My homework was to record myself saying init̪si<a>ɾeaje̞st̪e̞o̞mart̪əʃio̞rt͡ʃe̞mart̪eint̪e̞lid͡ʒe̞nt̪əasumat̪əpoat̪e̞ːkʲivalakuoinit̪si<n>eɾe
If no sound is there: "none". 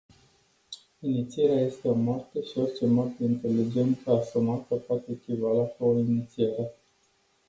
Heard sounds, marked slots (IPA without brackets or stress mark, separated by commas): e, none